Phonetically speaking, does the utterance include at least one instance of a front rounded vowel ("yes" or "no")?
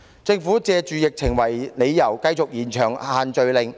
yes